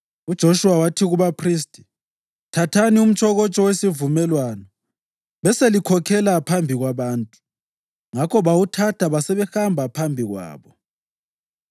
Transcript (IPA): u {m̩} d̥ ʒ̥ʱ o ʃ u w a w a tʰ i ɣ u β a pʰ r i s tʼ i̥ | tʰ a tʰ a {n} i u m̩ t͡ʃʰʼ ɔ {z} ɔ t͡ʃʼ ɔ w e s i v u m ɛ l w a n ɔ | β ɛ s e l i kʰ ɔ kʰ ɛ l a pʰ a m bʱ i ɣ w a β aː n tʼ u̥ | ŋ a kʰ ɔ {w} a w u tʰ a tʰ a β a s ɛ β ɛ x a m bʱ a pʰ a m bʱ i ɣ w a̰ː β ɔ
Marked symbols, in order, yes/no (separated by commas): no, yes, no, no